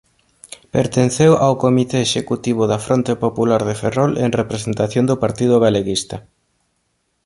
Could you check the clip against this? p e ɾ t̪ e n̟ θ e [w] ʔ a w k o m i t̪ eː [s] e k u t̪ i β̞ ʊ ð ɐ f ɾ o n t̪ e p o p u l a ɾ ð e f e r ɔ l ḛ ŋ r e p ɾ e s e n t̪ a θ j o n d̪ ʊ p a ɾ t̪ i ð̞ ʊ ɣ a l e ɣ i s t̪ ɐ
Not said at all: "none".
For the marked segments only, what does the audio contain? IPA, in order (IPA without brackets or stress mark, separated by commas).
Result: w, ʃ